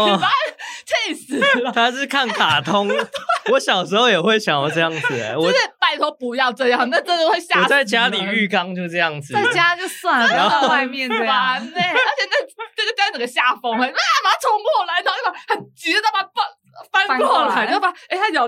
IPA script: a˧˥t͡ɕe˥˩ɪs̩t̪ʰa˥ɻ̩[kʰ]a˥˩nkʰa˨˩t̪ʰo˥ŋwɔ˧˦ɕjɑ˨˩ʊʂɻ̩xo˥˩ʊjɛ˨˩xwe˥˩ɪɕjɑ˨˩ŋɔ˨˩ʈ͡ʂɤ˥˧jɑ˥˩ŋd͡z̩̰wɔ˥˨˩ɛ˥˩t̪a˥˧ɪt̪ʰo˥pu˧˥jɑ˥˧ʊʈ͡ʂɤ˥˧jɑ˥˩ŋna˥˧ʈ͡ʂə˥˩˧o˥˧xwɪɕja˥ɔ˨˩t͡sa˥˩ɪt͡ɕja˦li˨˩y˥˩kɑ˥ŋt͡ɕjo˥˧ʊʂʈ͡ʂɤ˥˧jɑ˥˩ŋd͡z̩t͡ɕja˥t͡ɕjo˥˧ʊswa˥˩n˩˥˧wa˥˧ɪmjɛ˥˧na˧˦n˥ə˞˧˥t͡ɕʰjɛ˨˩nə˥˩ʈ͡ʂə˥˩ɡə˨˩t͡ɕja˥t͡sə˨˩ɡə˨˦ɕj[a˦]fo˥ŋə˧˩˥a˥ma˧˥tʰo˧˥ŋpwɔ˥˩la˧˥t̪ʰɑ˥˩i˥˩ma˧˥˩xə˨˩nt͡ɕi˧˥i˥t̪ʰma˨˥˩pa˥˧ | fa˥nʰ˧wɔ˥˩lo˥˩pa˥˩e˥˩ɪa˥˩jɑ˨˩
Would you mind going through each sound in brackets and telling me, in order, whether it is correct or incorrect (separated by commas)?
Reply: correct, incorrect